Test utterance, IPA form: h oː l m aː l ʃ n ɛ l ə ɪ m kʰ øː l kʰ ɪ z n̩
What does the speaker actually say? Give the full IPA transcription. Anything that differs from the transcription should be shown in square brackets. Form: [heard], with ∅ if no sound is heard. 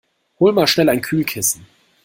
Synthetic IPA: h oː l m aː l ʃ n ɛ l [a] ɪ [n] kʰ [yː] l kʰ ɪ [s] n̩